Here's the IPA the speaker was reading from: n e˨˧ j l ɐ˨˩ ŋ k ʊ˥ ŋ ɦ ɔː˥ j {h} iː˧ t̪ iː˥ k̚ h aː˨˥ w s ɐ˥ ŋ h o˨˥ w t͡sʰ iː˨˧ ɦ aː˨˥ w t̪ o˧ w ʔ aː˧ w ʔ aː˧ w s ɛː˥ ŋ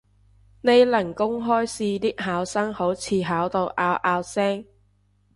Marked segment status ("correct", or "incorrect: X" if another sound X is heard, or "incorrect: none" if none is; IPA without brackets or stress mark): incorrect: s